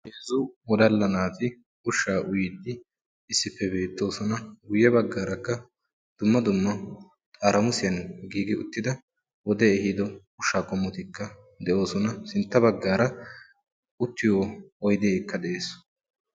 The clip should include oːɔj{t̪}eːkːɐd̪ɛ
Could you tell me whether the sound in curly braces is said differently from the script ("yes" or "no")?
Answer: yes